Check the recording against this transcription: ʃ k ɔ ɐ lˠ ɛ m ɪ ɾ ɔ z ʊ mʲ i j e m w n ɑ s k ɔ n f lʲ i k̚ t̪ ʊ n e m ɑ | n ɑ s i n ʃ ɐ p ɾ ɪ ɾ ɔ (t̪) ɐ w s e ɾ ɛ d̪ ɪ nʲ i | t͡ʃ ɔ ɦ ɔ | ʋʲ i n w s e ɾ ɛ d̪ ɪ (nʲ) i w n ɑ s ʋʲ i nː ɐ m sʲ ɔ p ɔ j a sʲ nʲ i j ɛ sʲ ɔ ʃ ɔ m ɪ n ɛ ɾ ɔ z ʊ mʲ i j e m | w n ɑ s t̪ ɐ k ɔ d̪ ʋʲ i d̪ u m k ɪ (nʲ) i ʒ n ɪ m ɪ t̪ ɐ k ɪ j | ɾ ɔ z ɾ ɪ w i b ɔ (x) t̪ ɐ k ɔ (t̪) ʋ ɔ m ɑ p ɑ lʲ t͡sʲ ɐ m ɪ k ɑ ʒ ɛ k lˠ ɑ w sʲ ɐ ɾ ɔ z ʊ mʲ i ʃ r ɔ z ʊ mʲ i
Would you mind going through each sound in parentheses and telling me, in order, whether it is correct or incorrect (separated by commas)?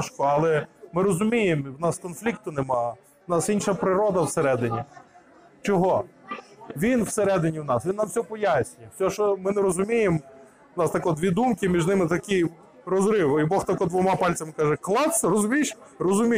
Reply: incorrect, correct, incorrect, correct, incorrect